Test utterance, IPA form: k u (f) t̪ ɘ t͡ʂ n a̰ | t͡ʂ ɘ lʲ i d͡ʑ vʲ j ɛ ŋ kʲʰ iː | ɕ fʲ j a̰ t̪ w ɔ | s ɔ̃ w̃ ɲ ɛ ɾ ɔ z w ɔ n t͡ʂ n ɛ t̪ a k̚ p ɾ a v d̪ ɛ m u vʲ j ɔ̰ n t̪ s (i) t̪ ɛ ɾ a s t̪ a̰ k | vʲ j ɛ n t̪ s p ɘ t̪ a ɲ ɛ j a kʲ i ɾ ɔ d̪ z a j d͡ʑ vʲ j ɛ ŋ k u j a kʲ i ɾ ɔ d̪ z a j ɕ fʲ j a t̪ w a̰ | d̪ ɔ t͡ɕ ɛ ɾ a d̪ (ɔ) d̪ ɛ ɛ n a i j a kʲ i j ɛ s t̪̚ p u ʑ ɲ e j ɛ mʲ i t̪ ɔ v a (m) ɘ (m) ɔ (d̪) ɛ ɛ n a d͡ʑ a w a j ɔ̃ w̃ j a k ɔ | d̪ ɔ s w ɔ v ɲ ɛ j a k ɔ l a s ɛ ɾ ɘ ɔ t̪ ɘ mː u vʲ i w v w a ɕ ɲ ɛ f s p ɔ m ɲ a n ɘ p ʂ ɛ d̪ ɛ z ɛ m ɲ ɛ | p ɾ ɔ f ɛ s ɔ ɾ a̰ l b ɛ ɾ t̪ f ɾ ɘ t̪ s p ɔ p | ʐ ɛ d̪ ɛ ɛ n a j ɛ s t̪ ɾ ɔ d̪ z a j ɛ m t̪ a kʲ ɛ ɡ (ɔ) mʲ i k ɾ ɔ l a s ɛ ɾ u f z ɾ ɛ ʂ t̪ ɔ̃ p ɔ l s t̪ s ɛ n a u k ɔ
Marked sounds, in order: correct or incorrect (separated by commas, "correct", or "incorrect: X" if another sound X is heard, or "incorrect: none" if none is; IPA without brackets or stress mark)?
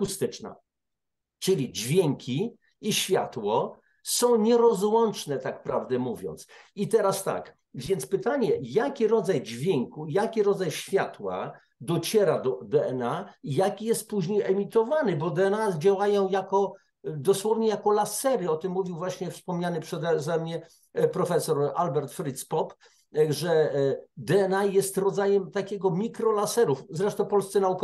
incorrect: s, correct, correct, incorrect: n, incorrect: b, correct, correct